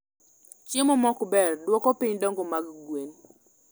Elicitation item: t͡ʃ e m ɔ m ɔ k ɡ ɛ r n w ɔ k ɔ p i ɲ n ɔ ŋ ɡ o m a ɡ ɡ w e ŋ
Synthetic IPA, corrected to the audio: t͡ʃ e m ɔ m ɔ k b ɛ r d w ɔ k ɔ p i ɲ d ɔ ŋ ɡ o m a ɡ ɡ w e n